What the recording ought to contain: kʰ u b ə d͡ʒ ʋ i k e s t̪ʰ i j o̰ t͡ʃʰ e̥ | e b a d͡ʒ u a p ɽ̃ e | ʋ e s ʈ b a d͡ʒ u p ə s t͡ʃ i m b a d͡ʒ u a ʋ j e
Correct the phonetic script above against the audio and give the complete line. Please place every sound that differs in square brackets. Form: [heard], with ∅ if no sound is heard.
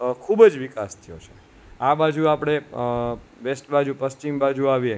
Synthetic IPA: kʰ u b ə d͡ʒ ʋ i k [a] s t̪ʰ i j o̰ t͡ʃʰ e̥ | [a] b a d͡ʒ u a p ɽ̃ e | ʋ e s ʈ b a d͡ʒ u p ə s t͡ʃ i m b a d͡ʒ u a ʋ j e